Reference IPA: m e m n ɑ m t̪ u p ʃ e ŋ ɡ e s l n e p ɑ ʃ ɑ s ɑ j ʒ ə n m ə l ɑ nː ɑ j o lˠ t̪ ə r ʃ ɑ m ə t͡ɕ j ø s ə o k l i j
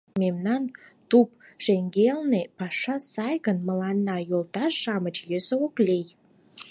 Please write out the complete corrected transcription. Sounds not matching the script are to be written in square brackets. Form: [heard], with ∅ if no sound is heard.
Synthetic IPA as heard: m e m n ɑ [n] t̪ u p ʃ e ŋ ɡ e [∅] l n e p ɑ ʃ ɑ s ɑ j [ɣ] ə n m ə l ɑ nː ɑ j o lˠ t̪ [ɑ] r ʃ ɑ m ə t͡ɕ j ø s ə o k l [e] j